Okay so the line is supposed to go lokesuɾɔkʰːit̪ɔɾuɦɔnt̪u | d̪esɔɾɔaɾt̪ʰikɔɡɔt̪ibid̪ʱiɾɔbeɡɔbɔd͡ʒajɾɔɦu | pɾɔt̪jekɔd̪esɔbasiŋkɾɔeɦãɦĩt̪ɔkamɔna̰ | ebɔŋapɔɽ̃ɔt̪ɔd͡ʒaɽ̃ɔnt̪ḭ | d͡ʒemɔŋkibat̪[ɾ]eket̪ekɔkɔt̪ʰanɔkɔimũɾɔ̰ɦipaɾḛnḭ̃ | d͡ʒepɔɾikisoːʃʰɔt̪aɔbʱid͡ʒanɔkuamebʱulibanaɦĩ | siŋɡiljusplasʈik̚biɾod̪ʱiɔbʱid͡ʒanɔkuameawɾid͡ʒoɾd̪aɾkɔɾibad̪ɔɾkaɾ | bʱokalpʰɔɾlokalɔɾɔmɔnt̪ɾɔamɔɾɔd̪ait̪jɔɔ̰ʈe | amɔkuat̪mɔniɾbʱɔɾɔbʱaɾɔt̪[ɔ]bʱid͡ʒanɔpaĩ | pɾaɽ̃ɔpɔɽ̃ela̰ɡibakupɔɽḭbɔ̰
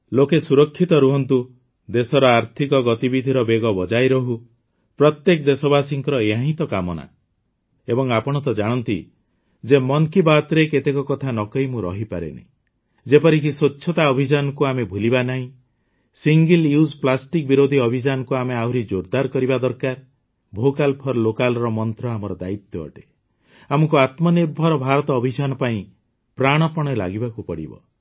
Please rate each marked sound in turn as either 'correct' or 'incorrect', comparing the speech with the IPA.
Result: correct, incorrect: ɔː

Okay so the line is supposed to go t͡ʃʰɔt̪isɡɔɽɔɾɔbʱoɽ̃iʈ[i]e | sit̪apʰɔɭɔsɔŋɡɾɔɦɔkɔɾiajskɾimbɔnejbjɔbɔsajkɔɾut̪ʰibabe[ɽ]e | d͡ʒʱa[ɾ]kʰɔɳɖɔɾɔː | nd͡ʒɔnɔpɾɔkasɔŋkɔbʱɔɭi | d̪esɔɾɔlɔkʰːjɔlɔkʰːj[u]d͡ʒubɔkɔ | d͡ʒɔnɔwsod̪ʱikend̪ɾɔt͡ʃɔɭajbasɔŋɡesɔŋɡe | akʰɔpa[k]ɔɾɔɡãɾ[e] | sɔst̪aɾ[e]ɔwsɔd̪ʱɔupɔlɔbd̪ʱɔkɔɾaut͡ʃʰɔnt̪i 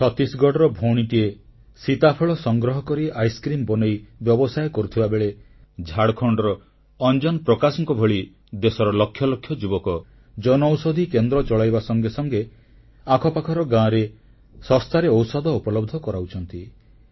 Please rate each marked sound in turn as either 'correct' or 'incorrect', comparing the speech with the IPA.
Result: correct, incorrect: ɭ, incorrect: ɽ, incorrect: ɔ, incorrect: kʰ, correct, correct

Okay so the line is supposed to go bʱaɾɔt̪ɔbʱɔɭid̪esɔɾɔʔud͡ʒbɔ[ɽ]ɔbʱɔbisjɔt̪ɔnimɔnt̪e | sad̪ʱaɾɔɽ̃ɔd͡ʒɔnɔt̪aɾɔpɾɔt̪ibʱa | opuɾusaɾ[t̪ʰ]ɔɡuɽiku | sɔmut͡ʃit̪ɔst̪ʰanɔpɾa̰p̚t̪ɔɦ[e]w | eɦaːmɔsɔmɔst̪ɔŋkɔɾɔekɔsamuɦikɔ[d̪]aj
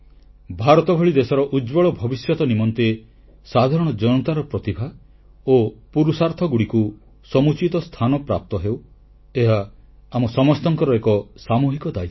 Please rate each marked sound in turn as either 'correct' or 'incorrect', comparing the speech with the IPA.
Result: incorrect: ɭ, correct, correct, correct

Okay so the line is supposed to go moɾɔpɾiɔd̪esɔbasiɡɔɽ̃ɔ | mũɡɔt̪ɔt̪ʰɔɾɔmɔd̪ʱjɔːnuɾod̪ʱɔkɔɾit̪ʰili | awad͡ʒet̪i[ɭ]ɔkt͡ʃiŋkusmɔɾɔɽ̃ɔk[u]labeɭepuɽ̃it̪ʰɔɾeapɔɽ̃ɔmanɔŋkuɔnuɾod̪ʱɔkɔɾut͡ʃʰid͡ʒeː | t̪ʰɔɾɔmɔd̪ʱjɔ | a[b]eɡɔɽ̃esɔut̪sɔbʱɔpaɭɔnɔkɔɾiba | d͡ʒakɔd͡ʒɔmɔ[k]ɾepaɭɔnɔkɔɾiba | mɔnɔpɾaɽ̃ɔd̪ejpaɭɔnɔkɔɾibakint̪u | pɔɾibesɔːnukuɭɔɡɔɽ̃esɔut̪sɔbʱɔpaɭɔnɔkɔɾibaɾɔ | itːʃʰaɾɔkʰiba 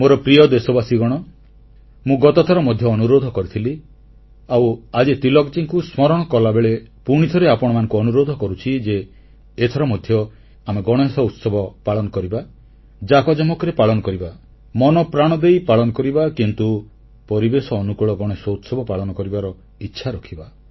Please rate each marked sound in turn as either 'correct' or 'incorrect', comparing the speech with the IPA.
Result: incorrect: l, incorrect: ɔ, incorrect: m, correct

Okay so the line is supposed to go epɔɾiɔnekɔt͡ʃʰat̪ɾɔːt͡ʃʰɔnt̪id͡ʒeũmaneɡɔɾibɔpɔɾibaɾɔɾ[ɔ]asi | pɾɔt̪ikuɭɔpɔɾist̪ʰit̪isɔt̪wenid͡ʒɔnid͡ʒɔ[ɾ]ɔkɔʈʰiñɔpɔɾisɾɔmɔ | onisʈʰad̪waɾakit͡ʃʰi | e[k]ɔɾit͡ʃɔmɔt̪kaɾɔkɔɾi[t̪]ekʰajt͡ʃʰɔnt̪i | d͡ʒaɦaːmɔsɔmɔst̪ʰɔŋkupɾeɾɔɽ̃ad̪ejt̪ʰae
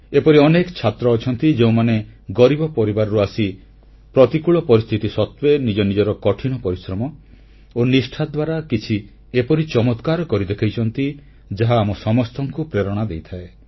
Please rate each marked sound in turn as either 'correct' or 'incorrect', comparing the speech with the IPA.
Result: incorrect: u, correct, incorrect: p, incorrect: d̪

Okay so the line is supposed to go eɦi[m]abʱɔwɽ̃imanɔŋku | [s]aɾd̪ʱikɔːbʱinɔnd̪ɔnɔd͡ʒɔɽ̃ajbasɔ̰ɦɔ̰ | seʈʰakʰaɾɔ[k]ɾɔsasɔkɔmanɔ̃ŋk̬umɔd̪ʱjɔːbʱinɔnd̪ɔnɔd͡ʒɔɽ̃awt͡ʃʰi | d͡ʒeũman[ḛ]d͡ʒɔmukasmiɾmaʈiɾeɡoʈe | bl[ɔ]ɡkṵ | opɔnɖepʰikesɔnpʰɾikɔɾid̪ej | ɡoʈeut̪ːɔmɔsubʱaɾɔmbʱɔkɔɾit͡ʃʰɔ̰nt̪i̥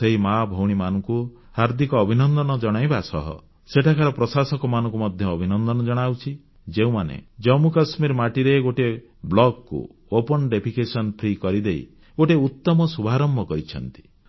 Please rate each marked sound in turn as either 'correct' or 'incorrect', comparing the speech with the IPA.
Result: correct, incorrect: h, incorrect: p, correct, correct

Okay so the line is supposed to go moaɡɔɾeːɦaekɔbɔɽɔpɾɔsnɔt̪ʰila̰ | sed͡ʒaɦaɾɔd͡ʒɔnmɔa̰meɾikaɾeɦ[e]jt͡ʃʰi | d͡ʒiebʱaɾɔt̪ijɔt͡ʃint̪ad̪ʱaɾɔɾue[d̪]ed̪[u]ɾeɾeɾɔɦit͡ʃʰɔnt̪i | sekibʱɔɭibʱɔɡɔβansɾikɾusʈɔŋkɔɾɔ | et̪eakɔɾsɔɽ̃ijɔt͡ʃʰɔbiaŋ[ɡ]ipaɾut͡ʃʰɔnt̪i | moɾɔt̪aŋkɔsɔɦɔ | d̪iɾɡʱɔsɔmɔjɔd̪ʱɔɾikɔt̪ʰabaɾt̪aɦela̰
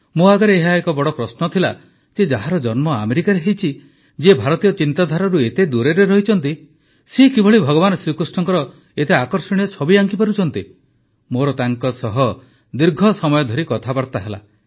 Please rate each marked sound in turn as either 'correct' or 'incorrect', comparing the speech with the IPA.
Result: correct, incorrect: t̪, correct, incorrect: k

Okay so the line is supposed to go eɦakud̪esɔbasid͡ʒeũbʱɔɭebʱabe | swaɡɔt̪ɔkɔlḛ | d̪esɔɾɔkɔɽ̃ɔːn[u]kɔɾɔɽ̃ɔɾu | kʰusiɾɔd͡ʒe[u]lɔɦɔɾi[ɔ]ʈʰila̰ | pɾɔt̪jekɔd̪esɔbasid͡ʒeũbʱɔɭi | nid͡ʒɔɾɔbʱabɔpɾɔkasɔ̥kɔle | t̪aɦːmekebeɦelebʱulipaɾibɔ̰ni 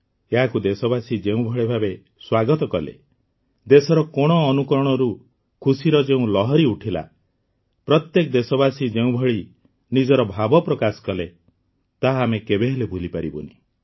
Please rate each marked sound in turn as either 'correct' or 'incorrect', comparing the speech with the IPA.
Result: correct, incorrect: ũ, incorrect: u

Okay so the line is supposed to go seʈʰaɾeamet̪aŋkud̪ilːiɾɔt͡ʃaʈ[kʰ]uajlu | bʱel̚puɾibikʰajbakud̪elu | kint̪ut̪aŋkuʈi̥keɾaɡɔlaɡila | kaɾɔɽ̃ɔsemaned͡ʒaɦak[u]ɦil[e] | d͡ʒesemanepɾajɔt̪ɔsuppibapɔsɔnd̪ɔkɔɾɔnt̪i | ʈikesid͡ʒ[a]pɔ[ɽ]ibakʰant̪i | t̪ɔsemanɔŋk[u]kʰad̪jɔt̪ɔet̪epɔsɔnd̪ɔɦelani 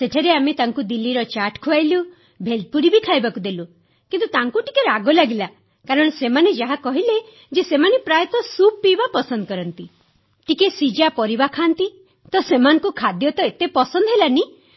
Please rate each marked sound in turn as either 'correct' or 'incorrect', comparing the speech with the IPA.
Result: correct, incorrect: ɔ, correct, correct, incorrect: ɾ, correct

